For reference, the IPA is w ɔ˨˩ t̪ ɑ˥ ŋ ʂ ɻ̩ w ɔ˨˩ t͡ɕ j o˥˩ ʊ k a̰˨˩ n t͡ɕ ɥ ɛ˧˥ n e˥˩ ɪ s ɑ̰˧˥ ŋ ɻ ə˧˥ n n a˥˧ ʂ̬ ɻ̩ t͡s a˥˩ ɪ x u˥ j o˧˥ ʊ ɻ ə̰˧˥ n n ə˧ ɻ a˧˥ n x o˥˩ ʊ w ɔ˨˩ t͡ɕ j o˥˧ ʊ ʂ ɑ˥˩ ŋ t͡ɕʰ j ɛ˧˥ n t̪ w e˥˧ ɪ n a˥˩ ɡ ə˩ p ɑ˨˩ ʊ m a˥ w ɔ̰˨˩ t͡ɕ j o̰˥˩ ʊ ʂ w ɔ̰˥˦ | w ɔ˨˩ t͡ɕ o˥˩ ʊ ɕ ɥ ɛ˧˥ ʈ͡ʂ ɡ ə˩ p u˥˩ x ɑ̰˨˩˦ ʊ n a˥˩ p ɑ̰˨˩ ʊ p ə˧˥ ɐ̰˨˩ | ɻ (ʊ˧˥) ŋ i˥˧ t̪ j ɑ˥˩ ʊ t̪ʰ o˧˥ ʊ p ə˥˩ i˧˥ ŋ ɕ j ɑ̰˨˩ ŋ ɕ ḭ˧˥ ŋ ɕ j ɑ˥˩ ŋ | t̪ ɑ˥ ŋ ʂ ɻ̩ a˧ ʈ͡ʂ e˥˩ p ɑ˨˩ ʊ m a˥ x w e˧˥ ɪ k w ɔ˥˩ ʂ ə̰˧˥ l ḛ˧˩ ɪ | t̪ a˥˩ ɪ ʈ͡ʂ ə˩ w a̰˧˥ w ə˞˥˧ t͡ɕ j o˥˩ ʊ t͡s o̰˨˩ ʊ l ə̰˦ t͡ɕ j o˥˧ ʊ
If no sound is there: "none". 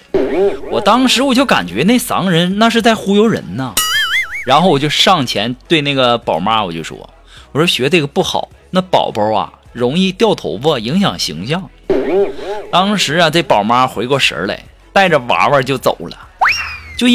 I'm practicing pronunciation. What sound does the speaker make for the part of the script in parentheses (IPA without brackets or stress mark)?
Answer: ʊ˧˥